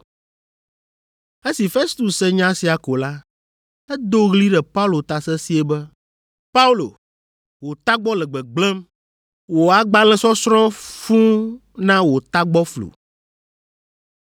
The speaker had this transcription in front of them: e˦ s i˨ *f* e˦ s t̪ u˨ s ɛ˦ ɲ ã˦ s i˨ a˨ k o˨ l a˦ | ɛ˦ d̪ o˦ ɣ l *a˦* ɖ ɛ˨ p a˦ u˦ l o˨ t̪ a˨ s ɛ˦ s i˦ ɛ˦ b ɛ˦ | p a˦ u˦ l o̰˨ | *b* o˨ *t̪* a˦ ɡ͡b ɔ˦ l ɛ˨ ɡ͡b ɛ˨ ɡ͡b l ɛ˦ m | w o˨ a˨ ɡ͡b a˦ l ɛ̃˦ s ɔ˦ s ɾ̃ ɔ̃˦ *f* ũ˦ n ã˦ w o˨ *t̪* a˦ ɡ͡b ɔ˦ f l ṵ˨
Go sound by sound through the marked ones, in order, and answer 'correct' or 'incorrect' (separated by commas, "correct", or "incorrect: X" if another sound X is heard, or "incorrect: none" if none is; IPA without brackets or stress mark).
correct, incorrect: i˦, incorrect: w, correct, correct, correct